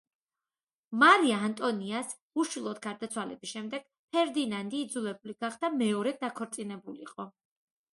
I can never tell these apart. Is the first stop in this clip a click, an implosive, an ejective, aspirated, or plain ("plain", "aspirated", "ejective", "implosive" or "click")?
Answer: ejective